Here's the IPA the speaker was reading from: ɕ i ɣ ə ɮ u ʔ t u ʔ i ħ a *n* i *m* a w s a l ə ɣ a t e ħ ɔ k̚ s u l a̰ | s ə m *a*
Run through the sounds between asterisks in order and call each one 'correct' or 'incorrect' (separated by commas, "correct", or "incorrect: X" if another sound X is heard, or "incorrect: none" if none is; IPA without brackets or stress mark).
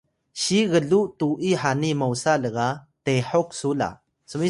correct, correct, incorrect: i